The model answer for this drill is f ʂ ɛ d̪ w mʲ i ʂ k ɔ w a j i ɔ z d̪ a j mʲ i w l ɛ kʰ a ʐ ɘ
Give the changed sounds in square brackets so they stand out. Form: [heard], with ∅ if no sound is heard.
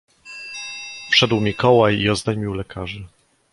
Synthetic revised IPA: f ʂ ɛ d̪ w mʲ i [∅] k ɔ w a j i ɔ z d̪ a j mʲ i w l ɛ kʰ a ʐ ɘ